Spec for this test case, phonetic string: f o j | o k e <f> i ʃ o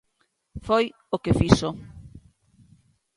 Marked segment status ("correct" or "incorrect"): correct